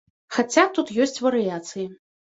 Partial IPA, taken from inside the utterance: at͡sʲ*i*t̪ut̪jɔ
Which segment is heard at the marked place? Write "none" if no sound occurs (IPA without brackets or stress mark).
a